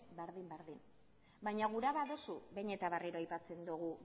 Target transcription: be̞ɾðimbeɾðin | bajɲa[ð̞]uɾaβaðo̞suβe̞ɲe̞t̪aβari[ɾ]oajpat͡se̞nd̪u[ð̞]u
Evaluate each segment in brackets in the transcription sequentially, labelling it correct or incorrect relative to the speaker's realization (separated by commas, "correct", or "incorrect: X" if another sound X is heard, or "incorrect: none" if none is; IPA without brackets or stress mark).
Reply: incorrect: ɣ̞, correct, incorrect: ɣ̞